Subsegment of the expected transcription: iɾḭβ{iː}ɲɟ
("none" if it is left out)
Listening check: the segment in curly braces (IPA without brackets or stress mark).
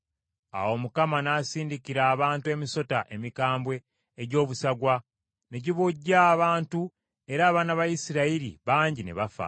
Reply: aː